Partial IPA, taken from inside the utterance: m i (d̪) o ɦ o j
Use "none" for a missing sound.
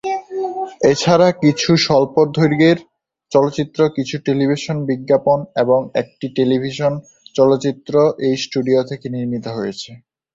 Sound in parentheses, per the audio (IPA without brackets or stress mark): t̪